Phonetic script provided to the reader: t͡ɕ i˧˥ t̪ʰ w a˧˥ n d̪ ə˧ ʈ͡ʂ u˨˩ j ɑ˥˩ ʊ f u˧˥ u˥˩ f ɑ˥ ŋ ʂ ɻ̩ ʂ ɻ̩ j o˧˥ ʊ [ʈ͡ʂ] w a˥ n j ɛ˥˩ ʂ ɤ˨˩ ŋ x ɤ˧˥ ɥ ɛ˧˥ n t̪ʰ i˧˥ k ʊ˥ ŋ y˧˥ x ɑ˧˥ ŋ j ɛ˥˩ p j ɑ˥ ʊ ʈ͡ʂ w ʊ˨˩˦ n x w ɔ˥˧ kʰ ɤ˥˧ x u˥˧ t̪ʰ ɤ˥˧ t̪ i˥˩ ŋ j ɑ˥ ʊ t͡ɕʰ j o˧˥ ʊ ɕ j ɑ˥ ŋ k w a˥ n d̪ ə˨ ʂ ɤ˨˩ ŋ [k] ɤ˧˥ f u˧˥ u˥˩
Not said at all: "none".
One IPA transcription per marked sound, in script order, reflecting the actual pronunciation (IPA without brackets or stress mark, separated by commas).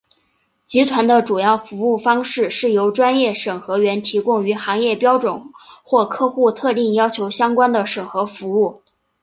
ʈ͡ʂ, x